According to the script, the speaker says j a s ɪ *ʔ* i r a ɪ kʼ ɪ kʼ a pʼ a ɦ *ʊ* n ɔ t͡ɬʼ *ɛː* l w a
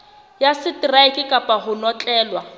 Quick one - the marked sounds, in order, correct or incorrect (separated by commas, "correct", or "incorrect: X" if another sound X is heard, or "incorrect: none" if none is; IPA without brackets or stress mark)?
incorrect: t, correct, correct